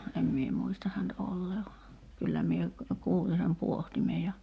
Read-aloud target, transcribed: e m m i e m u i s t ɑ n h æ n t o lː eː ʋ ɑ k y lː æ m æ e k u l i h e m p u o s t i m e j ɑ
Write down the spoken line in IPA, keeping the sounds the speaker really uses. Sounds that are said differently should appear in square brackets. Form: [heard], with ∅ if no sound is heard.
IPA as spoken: e m m i e m u i s t ɑ [∅] h æ n t o lː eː ʋ ɑ k y lː æ m [i] e k [uː] l i [s] e m p u o [h] t i m e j ɑ